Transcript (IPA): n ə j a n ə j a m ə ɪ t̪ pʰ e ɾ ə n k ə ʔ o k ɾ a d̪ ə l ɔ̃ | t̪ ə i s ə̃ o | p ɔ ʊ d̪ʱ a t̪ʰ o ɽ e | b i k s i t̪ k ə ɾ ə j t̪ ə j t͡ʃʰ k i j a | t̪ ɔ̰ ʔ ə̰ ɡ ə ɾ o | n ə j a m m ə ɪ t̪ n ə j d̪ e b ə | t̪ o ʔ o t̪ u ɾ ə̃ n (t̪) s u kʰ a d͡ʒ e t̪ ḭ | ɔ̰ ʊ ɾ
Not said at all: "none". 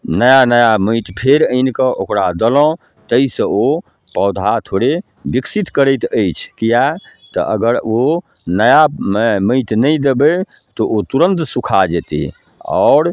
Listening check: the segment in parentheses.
t̪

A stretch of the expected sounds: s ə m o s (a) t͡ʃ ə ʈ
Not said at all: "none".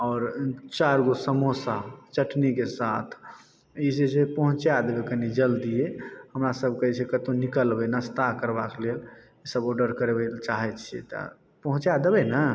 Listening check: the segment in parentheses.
a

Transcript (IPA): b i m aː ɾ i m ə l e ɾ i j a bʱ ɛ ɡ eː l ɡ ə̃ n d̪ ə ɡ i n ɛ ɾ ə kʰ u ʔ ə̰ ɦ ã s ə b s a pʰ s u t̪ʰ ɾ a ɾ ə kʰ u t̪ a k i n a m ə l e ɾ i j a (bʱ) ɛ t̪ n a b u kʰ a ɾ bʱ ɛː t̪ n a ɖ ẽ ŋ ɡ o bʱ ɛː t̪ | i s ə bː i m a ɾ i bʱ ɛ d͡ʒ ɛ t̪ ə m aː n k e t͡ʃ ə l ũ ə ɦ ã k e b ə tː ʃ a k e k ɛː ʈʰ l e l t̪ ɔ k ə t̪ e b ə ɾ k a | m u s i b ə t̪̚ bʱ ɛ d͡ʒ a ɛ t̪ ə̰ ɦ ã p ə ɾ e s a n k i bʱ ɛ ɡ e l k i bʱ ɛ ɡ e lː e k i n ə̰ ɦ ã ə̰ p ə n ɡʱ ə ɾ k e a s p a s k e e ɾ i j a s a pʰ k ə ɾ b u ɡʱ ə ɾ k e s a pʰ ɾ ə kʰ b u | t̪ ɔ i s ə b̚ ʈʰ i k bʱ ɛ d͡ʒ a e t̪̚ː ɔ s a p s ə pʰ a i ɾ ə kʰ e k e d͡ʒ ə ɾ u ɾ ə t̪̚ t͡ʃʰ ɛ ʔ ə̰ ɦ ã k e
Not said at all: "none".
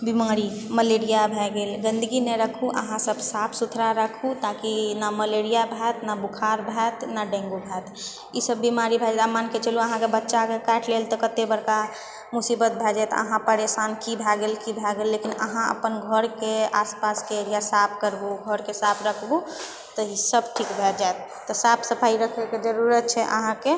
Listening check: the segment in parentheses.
bʱ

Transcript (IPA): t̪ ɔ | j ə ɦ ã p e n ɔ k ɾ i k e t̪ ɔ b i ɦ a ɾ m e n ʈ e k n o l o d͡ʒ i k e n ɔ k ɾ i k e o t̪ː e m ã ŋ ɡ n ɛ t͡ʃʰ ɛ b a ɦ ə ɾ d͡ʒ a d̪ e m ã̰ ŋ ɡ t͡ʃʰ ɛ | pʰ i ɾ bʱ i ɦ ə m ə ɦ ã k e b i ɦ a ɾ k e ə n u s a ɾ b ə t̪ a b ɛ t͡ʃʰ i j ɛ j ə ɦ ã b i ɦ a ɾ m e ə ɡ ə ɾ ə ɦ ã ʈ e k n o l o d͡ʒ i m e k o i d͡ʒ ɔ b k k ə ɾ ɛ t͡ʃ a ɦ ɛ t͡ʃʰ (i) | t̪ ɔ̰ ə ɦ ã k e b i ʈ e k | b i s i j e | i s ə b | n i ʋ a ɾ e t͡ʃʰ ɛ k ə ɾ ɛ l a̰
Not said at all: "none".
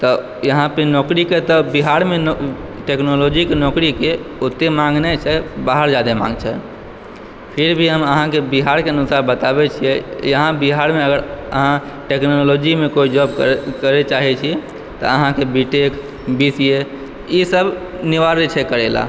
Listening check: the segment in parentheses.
i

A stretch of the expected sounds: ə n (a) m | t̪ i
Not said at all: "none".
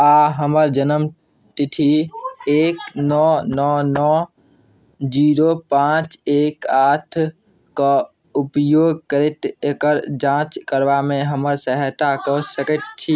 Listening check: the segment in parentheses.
ə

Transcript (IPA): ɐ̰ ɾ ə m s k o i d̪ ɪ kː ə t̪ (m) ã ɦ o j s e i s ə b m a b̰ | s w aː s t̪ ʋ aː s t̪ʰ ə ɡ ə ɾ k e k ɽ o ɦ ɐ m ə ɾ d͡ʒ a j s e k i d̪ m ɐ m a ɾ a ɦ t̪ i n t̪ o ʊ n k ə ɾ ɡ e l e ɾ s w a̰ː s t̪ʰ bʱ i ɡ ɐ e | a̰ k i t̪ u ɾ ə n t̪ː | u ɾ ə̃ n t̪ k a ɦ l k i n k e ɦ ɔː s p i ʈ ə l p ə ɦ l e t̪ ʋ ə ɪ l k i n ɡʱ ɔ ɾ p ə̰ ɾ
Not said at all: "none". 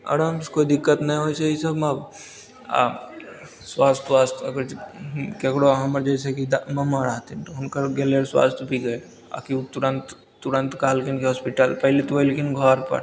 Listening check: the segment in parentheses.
n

